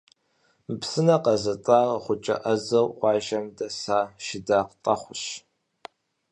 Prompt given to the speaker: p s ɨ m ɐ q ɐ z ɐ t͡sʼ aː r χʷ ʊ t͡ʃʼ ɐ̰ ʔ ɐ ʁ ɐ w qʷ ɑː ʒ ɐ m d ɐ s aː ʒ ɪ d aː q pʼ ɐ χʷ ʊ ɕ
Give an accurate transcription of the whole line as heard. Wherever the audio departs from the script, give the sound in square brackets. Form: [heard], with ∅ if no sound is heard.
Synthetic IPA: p s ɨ [n] ɐ q ɐ z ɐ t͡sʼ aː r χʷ ʊ t͡ʃʼ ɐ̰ ʔ ɐ [z] ɐ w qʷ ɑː ʒ ɐ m d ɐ s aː [ʃ] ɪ d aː q [tʼ] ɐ χʷ ʊ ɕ